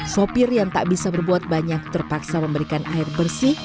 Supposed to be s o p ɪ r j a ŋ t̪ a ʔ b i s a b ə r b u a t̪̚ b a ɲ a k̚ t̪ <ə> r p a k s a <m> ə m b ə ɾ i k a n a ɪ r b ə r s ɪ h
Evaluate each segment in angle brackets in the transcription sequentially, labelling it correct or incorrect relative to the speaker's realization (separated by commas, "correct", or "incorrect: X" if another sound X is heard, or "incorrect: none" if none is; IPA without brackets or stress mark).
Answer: correct, correct